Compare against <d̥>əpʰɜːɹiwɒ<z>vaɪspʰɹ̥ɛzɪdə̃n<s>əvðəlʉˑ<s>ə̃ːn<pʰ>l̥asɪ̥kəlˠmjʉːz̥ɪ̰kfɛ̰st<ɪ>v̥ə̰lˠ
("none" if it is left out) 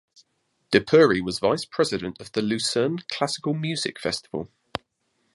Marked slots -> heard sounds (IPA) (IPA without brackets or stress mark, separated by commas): d̥, z, t, s, kʰ, ɪ